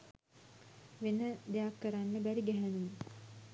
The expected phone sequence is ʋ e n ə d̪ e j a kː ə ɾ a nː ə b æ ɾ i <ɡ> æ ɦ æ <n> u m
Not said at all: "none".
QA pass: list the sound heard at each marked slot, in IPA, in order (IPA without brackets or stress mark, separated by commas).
ɡ, n